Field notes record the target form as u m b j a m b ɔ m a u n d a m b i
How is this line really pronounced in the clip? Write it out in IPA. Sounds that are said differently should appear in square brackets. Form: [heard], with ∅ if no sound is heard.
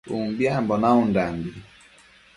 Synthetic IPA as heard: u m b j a m b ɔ [n] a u n d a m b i